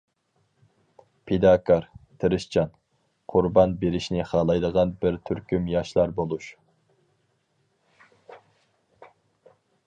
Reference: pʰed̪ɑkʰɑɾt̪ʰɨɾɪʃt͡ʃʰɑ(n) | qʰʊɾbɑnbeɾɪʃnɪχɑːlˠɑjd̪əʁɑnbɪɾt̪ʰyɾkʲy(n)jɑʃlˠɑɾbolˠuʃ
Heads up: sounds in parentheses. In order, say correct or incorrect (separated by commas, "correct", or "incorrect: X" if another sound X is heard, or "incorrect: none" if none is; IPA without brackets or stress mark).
correct, incorrect: m